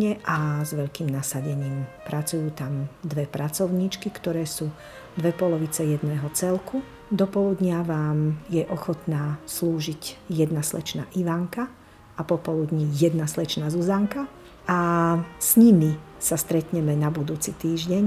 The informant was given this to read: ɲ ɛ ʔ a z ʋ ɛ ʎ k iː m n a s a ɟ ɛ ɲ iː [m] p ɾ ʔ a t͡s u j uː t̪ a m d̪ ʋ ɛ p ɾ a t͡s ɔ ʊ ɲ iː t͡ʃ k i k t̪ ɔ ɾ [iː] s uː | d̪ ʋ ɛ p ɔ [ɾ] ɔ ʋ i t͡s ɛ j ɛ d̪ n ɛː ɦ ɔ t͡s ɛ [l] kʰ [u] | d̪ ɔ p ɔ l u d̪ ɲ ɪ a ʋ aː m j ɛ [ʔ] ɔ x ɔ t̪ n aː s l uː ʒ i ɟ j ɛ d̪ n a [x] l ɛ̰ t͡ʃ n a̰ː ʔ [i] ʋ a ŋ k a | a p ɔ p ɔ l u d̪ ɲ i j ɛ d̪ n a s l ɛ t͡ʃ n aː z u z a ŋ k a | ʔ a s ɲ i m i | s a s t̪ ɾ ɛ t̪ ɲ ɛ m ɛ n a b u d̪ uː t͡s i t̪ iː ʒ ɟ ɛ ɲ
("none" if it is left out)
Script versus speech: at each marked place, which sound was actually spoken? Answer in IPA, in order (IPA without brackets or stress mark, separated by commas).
m, ɛː, l, l, u, ʔ, s, i